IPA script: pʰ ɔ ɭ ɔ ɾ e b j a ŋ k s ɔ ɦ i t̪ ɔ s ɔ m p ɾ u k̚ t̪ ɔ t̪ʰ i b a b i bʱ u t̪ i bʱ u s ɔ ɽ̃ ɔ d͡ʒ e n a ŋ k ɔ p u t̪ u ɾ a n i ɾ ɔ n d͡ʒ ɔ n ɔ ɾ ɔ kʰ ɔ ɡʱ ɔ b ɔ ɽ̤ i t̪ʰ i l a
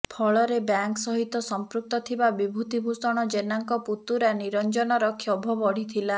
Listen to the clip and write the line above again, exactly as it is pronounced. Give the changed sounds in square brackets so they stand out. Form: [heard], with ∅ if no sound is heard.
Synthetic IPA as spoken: pʰ ɔ ɭ ɔ ɾ e b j a ŋ k s ɔ ɦ i t̪ ɔ s ɔ m p ɾ u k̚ t̪ ɔ t̪ʰ i b a b i bʱ u t̪ i bʱ u s ɔ ɽ̃ ɔ d͡ʒ e n a ŋ k ɔ p u t̪ u ɾ a n i ɾ ɔ n d͡ʒ ɔ n ɔ ɾ ɔ kʰ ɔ [bʱ] ɔ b ɔ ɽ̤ i t̪ʰ i l a